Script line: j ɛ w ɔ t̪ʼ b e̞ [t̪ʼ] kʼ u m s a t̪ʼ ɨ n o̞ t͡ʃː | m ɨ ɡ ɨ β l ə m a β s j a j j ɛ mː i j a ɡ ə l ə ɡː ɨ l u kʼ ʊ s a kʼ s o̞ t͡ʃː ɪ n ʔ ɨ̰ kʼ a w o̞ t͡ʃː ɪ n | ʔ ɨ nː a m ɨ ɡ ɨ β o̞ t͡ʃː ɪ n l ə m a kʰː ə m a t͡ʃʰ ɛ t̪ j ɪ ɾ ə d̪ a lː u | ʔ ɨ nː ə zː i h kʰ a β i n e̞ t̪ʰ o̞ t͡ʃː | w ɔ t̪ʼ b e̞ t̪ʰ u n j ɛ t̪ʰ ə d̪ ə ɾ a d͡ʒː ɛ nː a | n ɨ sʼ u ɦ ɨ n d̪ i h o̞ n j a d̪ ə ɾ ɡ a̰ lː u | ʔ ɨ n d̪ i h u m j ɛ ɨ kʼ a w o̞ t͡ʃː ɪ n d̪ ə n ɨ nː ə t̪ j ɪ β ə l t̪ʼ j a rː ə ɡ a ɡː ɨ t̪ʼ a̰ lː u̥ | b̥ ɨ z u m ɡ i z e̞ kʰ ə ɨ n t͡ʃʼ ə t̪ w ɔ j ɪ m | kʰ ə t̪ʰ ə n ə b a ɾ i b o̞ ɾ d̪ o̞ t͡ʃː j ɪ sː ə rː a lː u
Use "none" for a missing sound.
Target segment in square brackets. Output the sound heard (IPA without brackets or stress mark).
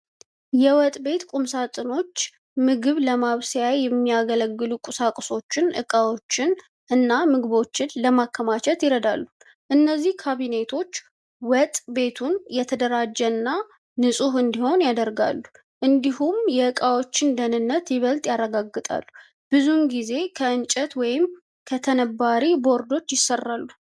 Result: t̪